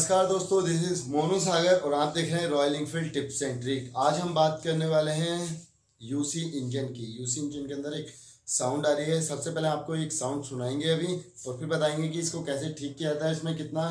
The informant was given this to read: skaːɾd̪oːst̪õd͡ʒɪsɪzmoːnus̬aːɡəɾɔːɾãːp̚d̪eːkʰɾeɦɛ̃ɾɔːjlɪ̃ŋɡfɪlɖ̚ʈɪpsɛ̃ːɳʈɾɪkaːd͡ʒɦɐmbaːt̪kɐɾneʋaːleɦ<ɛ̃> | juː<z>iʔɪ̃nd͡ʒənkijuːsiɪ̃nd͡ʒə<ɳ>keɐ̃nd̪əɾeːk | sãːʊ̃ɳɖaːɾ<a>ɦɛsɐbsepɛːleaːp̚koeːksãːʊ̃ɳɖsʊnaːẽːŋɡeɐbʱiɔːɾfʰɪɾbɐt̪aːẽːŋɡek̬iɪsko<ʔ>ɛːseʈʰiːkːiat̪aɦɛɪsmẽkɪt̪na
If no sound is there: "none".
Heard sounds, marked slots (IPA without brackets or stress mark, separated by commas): ɛ̃, s, n, i, k